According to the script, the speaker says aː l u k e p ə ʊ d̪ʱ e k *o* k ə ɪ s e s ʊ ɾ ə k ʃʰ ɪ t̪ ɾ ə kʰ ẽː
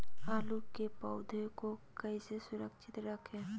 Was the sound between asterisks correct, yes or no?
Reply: yes